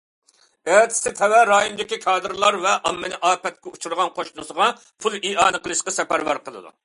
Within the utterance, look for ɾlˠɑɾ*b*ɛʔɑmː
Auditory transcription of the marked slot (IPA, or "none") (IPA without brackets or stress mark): v